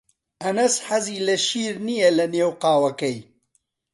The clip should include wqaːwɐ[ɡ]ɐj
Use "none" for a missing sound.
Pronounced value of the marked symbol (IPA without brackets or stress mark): k